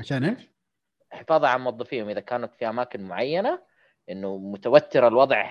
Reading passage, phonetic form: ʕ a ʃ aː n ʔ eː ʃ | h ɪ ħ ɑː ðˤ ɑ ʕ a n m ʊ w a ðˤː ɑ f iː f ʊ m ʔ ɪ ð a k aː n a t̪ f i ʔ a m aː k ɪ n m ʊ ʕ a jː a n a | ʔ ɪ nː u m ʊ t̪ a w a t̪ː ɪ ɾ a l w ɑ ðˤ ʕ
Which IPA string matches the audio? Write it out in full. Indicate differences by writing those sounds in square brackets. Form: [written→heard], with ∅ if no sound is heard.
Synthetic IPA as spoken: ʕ a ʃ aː n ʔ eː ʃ | [h→ħ] ɪ [ħ→f] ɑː ðˤ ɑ ʕ a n m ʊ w [a→ɑ] ðˤː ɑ f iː [f→h] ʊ m ʔ ɪ ð a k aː n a t̪ f i ʔ a m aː k ɪ n m ʊ ʕ a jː a n a | ʔ ɪ nː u m ʊ t̪ a w a t̪ː ɪ ɾ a l w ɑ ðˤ ʕ